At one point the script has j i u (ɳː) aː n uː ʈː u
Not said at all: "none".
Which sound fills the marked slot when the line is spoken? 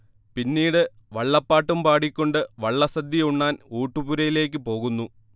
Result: ɳː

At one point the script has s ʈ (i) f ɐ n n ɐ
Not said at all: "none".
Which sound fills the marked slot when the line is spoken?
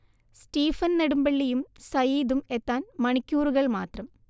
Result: iː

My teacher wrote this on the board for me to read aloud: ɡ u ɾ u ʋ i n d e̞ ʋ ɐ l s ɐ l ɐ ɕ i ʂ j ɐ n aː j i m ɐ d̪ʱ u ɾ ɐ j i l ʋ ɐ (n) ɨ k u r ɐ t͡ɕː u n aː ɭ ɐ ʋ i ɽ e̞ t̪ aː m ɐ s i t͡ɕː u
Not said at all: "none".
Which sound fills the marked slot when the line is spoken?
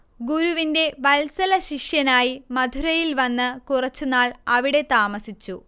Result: nː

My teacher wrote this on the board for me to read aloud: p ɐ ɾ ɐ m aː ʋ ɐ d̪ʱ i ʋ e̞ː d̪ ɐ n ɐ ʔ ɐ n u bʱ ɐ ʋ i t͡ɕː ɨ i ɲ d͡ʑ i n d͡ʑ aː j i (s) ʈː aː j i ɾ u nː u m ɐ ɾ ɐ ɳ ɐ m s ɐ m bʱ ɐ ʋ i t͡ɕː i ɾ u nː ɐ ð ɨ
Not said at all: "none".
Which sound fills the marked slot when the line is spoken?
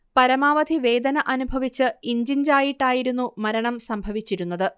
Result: none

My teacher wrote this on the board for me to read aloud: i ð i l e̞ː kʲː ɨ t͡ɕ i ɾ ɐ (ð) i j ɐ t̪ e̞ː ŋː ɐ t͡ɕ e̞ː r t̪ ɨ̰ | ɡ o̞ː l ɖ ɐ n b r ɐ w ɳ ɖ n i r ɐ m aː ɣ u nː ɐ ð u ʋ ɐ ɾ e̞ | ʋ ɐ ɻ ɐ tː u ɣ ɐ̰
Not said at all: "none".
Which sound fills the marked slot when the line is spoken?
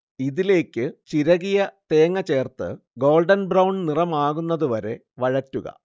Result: ɣ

